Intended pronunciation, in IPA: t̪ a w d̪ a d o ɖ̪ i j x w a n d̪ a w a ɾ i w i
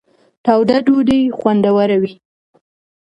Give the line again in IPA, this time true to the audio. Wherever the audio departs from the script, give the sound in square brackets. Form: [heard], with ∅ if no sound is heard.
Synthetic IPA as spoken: t̪ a w d̪ a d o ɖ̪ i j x w a n d̪ a w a ɾ [a] w i